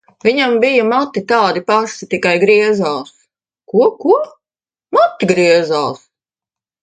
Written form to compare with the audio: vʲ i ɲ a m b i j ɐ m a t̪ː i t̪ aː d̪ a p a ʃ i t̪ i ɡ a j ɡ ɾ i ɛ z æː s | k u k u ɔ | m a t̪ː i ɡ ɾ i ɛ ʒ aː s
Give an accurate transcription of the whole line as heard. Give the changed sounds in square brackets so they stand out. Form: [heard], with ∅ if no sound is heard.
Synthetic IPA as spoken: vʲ i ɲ a m b i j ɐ m a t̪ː i t̪ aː d̪ [i] p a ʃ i t̪ i [k] a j ɡ ɾ i ɛ z [aː] s | k u k u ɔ | m a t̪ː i ɡ ɾ i ɛ [z] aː s